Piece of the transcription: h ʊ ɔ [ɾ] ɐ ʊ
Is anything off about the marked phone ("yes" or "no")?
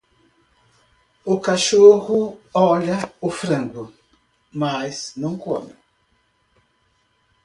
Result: yes